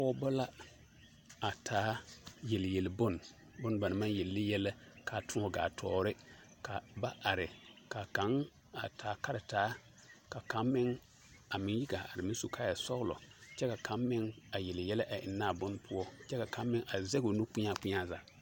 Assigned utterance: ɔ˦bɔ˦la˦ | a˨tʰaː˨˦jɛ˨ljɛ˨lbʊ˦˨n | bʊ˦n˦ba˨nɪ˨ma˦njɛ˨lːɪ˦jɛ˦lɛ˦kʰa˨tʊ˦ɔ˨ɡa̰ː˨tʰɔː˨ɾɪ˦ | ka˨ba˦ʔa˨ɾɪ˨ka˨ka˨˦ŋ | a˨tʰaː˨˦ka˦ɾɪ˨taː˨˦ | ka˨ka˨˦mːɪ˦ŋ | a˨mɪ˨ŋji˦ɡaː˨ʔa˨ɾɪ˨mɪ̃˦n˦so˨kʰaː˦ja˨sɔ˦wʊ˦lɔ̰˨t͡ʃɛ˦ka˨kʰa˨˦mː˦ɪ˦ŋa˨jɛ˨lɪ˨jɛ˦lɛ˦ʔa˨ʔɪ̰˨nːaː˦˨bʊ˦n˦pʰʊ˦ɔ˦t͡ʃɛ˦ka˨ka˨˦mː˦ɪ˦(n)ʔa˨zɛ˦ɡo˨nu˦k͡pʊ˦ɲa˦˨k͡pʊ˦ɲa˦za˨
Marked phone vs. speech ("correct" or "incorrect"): incorrect